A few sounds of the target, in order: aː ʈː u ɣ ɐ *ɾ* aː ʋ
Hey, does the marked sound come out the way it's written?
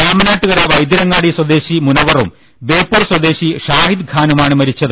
yes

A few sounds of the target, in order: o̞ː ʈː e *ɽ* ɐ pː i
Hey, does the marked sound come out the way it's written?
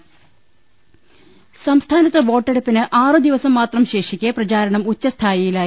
yes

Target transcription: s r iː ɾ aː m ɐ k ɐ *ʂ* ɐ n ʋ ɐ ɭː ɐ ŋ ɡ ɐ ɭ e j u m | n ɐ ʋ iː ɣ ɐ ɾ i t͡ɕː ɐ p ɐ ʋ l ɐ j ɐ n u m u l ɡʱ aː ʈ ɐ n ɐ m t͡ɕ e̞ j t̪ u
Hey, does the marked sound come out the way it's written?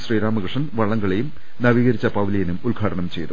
yes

